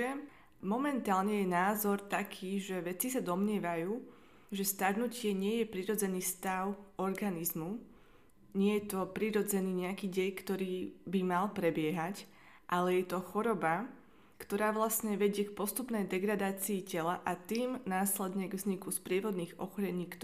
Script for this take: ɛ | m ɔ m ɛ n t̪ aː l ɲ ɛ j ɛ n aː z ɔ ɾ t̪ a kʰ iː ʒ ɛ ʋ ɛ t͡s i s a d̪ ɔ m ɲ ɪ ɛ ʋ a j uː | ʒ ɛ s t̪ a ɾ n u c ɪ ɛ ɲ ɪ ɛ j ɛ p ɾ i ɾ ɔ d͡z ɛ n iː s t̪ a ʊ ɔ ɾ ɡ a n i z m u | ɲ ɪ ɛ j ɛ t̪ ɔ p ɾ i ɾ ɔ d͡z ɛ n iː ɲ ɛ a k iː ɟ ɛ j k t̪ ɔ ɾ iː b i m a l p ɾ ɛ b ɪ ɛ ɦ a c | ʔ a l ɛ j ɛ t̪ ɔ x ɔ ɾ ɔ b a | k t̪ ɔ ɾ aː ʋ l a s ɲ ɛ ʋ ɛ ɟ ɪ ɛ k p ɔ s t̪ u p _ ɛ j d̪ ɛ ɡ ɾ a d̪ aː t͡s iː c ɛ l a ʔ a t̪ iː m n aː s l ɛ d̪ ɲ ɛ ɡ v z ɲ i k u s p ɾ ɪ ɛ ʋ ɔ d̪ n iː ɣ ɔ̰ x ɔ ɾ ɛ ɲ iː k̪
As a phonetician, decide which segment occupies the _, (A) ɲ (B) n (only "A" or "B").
B